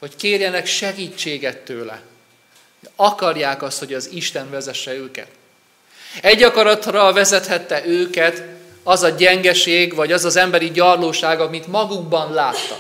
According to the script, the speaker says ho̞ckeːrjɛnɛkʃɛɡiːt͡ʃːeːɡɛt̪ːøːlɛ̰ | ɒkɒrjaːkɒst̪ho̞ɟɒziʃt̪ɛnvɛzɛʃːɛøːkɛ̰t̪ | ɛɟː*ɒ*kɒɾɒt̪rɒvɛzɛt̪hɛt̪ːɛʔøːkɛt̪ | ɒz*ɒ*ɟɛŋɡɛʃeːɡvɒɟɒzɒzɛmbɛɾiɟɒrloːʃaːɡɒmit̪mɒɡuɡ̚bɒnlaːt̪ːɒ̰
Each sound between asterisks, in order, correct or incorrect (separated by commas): correct, correct